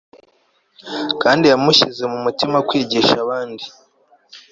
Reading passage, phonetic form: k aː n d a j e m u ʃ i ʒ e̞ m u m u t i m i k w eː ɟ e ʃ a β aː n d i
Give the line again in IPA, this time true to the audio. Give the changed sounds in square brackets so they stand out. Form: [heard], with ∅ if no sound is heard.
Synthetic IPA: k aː n d [i] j [a] m u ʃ i [z] e̞ m u m u t i m [a] k w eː ɟ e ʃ a β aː n d i